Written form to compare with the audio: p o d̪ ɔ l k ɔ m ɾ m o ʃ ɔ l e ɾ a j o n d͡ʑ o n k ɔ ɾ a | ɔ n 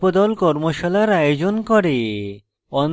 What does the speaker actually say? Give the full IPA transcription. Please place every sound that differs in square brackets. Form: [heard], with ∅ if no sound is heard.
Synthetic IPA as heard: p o d̪ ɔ l k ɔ [∅] ɾ m o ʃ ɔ l [a] ɾ a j o [∅] d͡ʑ o n k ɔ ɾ [e] | ɔ n

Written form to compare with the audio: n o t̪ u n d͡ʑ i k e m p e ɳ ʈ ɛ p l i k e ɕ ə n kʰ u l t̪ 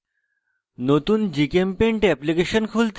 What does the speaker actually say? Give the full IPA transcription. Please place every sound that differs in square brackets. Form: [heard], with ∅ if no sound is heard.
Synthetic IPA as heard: n o t̪ [uː] n d͡ʑ i k e m p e ɳ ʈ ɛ p l i k e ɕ ə n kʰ u l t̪

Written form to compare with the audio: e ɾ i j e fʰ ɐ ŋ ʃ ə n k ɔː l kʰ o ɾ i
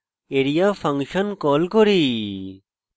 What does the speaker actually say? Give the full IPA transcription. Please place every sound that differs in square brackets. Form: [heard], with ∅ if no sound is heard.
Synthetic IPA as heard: e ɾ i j [a] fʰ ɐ ŋ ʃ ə n k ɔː l [k] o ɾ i

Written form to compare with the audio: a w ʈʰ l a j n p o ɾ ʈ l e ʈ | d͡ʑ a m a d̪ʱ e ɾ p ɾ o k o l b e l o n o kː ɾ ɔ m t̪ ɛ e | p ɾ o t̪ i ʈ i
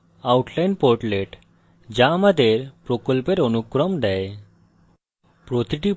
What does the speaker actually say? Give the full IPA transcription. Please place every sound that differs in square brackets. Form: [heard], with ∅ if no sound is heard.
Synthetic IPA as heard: a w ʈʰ l a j n p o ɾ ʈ l e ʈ | d͡ʑ a m a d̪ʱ e ɾ p ɾ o k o l [p] e [ɾ] o n [u] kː ɾ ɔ m [d̪] ɛ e | p ɾ o t̪ i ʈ i

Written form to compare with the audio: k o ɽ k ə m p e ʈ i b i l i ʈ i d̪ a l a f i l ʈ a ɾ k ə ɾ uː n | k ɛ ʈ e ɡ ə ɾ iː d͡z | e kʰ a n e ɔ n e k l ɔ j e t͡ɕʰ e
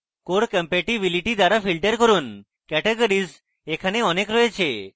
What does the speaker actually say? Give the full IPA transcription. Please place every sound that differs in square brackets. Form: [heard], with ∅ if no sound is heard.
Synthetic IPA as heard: k o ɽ k ə m p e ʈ i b i l i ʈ i d̪ a [ɾ] a f i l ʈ [ə] ɾ k ə ɾ uː n | k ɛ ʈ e ɡ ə ɾ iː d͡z | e kʰ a n e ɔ n e k [ɾ] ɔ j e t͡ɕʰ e

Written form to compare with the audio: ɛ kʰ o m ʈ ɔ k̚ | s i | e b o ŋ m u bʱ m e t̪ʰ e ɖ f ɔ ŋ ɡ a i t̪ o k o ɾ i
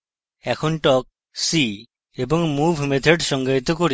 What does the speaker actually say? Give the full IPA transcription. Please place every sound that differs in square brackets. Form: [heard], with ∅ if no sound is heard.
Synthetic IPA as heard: ɛ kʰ o [n] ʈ ɔ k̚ | s i | e b o ŋ m u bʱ m e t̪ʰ e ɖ [ʃ] ɔ ŋ ɡ a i t̪ o k o ɾ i

